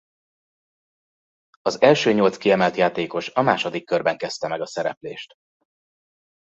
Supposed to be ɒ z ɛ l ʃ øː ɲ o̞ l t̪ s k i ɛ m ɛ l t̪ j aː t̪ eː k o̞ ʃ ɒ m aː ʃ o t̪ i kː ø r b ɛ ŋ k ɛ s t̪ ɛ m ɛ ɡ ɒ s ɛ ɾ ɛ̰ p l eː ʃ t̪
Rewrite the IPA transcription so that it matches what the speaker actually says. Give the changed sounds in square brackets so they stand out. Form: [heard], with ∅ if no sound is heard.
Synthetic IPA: ɒ z ɛ l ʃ øː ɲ o̞ l t̪ s k i ɛ m ɛ l t̪ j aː t̪ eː k o̞ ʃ ɒ m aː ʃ o [d̪] i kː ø r b ɛ ŋ k ɛ s t̪ ɛ m ɛ ɡ ɒ s ɛ ɾ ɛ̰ p l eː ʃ t̪